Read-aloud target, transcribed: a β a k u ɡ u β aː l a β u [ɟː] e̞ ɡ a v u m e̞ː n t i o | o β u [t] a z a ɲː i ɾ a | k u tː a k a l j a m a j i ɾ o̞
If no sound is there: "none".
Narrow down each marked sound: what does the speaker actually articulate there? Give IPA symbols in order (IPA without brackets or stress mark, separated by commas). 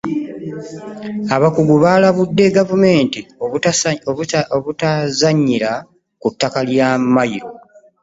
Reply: dː, t